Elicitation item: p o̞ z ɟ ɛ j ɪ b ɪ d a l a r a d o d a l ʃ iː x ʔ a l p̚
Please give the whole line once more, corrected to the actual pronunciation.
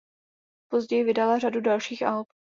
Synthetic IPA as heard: p o̞ z ɟ ɛ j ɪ v ɪ d a l a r a d u d a l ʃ iː x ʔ a l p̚